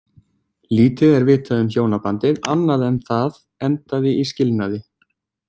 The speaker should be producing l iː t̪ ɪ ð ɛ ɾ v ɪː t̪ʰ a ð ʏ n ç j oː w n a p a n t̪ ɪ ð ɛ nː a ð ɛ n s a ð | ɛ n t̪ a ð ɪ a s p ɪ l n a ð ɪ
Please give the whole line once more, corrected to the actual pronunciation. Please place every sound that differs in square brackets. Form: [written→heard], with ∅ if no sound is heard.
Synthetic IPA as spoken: l iː t̪ ɪ ð ɛ ɾ v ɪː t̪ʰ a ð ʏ [n→m] ç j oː w n a p a n t̪ ɪ ð [ɛ→a] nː a ð ɛ n [s→θ] a ð | ɛ n t̪ a ð ɪ [a→i] s [p→c] ɪ l n a ð ɪ